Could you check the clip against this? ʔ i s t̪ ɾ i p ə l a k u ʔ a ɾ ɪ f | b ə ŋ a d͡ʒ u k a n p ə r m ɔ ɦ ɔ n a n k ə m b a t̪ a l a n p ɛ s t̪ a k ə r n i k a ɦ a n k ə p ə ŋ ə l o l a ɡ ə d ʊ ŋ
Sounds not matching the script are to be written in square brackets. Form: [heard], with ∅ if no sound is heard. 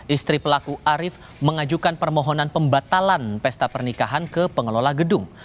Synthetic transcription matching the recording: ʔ i s t̪ ɾ i p ə l a k u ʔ a ɾ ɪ f | [m] ə ŋ a d͡ʒ u k a n p ə r m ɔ ɦ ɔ n a n [p] ə m b a t̪ a l a n p ɛ s t̪ a [p] ə r n i k a ɦ a n k ə p ə ŋ ə l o l a ɡ ə d ʊ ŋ